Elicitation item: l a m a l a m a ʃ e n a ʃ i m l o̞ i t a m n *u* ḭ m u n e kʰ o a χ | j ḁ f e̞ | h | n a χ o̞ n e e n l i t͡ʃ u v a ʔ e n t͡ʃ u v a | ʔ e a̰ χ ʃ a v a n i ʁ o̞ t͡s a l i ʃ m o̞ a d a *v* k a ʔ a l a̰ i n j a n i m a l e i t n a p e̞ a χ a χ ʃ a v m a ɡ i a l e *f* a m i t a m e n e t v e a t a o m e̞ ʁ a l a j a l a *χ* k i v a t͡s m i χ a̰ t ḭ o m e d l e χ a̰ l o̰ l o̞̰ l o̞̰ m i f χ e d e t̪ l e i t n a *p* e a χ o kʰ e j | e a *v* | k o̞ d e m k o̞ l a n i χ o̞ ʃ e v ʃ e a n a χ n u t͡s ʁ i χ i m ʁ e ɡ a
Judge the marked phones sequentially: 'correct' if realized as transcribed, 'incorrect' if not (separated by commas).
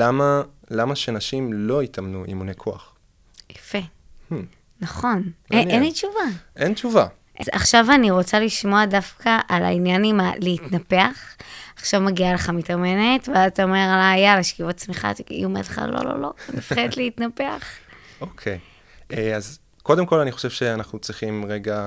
correct, incorrect, incorrect, incorrect, correct, incorrect